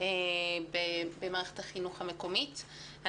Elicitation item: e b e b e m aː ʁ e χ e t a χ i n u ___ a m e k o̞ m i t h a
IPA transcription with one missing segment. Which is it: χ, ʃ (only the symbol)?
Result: χ